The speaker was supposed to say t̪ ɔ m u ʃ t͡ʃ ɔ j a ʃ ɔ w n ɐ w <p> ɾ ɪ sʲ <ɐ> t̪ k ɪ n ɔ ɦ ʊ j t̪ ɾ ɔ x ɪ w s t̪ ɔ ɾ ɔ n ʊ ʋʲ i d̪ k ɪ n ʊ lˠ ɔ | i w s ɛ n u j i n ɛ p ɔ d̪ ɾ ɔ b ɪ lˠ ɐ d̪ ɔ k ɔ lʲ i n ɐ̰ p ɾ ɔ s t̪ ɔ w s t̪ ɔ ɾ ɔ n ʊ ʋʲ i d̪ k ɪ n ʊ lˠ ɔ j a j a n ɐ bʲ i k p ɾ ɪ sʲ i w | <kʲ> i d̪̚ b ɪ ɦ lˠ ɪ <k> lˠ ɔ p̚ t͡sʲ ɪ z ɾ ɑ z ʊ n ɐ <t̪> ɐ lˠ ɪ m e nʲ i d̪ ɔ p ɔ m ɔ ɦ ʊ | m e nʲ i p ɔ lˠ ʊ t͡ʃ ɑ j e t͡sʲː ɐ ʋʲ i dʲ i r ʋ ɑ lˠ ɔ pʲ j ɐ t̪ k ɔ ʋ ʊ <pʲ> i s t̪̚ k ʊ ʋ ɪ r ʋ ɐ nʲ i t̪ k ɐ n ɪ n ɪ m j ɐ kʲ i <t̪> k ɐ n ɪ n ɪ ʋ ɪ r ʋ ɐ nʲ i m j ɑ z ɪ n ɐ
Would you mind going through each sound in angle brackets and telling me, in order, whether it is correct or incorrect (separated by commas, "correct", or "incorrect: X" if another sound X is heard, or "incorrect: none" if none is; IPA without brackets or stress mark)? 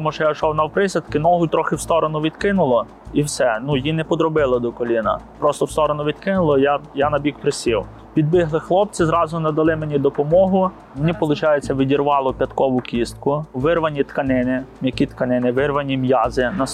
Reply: correct, correct, incorrect: pʲ, incorrect: x, incorrect: d̪, incorrect: kʲ, correct